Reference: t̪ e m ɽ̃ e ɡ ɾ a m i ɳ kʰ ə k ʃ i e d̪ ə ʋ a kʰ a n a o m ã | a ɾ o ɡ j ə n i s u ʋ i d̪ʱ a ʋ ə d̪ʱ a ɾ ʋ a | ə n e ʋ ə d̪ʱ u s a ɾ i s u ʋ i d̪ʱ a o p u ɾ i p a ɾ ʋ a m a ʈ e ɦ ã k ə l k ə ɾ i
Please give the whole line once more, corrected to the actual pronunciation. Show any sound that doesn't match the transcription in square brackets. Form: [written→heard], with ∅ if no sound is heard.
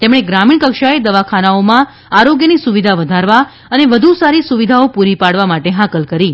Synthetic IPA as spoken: t̪ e m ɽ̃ e ɡ ɾ a m i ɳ [kʰ→k] ə k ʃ [i→a] e d̪ ə ʋ a kʰ a n a o m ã | a ɾ o ɡ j ə n i s u ʋ i d̪ʱ a ʋ ə d̪ʱ a ɾ ʋ a | ə n e ʋ ə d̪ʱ u s a ɾ i s u ʋ i d̪ʱ a o p u ɾ i p a [ɾ→ɽ] ʋ a m a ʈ e ɦ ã k ə l k ə ɾ i